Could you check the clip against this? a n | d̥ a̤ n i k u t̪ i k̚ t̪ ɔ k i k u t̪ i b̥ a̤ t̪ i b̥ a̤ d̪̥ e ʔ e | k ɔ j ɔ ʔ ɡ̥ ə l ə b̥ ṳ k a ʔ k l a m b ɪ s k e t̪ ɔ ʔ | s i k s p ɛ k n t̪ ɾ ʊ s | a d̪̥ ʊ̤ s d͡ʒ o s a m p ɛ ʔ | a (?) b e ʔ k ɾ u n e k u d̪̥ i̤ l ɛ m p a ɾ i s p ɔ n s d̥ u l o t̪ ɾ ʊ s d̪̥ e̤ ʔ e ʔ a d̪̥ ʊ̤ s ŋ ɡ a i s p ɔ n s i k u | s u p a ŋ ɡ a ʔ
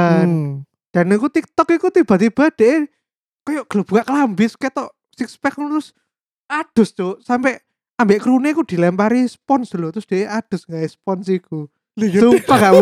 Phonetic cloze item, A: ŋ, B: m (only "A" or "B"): B